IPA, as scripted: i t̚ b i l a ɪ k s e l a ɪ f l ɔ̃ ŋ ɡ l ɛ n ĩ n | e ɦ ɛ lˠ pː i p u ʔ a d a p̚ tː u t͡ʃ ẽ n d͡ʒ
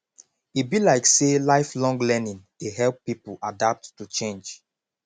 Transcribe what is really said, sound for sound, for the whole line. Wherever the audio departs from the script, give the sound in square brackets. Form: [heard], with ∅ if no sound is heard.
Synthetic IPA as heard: i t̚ b i l a ɪ k s e l a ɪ f l ɔ̃ ŋ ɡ l ɛ n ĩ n | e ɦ ɛ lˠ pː i p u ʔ a d a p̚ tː u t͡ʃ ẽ n d͡ʒ

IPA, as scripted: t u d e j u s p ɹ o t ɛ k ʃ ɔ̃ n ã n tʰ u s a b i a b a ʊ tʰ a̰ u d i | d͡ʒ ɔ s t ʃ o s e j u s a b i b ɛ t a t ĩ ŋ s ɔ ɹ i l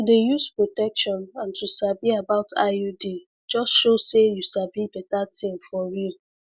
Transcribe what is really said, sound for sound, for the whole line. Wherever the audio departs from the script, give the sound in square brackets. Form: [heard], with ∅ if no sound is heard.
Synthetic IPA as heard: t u d e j u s p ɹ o t ɛ k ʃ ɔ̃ n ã n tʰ u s a b i a b a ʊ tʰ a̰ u d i | d͡ʒ ɔ s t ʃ o s e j u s a b i b ɛ t a t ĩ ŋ [f] ɔ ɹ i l

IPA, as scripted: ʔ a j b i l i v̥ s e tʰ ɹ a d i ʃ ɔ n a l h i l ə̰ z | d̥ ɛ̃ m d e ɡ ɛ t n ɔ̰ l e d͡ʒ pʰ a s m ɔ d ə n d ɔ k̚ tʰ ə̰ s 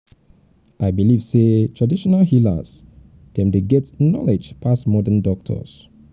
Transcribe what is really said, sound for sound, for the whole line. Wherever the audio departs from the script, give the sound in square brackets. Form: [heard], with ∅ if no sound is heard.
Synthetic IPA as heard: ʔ a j b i l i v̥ s e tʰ ɹ a d i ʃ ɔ n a l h i l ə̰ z | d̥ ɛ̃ m d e ɡ ɛ t n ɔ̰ l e d͡ʒ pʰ a s m ɔ d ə n d ɔ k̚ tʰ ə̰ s

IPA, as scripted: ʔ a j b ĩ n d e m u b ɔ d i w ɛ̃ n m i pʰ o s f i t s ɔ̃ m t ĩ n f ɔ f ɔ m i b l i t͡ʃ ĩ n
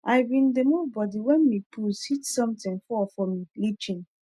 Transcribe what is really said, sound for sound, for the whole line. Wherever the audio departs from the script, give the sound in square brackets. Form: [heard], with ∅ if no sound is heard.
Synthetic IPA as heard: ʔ a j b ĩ n d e m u b ɔ d i w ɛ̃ n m i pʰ [u] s [h] i t s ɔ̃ m t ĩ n f ɔ f ɔ m i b l i t͡ʃ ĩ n

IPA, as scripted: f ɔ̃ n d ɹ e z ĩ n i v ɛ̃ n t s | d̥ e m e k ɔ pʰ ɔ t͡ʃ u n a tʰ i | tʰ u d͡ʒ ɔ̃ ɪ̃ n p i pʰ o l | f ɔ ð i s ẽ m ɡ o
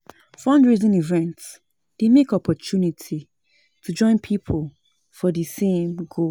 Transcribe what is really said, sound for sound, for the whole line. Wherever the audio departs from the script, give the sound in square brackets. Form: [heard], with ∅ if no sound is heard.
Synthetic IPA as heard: f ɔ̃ n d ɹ [i] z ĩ n i v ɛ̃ n t s | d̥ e m e k ɔ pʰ ɔ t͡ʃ u n [i] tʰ i | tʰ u d͡ʒ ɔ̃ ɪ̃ n [pʰ] i pʰ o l | f ɔ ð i s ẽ m ɡ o

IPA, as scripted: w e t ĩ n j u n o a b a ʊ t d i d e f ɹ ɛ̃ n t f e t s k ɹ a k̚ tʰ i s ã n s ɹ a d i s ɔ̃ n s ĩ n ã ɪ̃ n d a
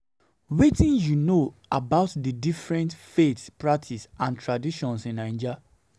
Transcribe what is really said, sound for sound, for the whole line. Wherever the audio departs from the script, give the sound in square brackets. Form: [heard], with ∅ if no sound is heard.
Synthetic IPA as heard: w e t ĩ n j u n o a b a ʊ t d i d [i] f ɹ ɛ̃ n t f e t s [p] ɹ a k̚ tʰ i s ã n [t] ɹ a d i [ʃ] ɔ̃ n s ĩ n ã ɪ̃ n [d͡ʒ] a

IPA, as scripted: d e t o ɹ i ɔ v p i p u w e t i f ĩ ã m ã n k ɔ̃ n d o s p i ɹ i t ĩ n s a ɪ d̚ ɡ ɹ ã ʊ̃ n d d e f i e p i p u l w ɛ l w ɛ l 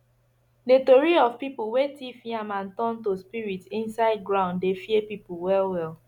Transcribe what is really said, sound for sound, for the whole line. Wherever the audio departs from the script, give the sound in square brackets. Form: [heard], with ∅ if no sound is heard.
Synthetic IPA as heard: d e t o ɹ i ɔ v p i p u w e t i f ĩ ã m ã n [t] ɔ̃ n [t] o s p i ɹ i t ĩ n s a ɪ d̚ ɡ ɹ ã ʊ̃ n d d e f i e p i p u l w ɛ l w ɛ l

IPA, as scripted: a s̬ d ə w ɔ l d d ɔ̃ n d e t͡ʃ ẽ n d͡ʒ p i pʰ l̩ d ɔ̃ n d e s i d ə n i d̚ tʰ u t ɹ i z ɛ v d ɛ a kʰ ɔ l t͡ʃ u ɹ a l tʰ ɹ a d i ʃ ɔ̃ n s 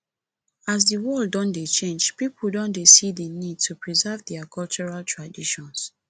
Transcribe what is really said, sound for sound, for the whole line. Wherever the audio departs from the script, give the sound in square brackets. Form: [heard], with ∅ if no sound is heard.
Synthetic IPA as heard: a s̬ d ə w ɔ l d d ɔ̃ n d e t͡ʃ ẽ n d͡ʒ p i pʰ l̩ d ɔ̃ n d e s i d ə n i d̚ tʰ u [p] ɹ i z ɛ v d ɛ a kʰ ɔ l t͡ʃ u ɹ a l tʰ ɹ a d i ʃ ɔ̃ n s

